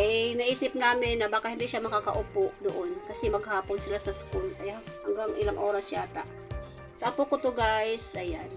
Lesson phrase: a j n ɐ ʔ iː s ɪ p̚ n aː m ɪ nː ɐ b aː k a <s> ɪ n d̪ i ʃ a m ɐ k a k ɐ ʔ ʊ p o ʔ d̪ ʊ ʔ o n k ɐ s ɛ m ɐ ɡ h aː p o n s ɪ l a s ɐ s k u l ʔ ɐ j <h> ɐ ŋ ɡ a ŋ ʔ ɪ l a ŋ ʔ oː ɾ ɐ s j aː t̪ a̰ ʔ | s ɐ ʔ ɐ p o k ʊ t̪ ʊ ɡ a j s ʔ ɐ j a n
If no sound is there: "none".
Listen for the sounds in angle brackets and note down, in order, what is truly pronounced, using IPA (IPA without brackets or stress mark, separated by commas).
h, h